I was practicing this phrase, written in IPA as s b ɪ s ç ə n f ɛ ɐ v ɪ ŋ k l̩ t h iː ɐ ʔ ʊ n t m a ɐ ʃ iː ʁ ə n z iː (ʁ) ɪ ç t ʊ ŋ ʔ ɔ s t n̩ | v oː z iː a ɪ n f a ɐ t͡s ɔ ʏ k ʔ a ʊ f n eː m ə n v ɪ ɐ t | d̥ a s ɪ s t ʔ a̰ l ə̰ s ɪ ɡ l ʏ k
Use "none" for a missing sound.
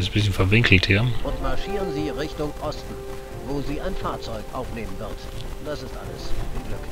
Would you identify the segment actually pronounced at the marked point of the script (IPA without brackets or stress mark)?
ʁ